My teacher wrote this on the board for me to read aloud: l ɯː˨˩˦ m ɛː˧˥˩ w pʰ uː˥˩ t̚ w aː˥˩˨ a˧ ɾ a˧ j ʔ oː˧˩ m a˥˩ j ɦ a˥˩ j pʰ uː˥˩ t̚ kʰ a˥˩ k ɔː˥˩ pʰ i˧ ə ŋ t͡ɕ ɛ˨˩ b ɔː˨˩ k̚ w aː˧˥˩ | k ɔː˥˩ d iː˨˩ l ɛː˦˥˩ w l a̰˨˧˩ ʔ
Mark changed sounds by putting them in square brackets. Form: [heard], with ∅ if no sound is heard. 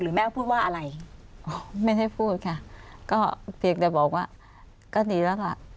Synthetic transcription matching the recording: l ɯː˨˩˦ m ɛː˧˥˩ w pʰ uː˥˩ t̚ w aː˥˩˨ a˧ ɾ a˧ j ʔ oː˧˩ m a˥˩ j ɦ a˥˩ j pʰ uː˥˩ t̚ kʰ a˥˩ k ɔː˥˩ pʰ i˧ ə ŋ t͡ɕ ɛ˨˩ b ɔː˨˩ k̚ w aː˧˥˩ | k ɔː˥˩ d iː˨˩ l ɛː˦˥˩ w l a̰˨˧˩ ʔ